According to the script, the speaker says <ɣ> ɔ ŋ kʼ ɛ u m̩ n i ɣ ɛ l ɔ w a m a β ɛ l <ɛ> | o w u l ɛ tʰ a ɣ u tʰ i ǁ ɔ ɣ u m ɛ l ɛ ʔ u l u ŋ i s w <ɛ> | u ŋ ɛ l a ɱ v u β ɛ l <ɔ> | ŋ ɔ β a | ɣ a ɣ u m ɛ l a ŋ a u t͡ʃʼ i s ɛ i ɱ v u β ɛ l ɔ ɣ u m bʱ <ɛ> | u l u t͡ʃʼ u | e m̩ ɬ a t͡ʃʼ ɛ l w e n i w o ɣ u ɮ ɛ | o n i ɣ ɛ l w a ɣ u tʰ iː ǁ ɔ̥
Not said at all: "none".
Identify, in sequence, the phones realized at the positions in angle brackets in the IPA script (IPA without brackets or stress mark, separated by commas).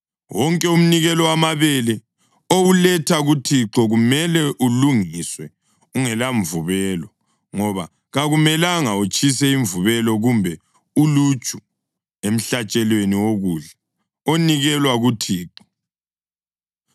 w, ɛ, ɛ, ɔ, ɛ